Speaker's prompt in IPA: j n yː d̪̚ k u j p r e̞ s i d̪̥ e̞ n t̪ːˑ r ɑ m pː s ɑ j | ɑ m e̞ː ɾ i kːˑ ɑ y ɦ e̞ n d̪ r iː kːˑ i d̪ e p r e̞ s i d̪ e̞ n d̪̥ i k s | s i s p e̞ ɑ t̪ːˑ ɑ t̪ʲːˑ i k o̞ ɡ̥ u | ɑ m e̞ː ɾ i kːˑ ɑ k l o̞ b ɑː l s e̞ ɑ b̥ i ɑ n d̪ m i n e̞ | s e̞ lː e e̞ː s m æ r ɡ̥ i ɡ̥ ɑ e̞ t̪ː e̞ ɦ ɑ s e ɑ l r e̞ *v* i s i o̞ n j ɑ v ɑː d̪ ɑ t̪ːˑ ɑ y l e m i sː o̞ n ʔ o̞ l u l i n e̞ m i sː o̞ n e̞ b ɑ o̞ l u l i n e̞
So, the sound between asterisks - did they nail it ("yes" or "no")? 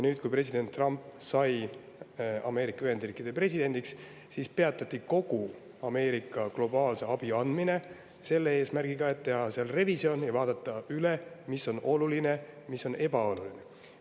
yes